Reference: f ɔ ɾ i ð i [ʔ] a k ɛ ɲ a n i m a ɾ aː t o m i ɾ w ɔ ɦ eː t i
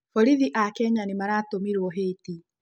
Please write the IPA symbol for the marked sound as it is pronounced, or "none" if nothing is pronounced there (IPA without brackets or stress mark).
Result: ʔ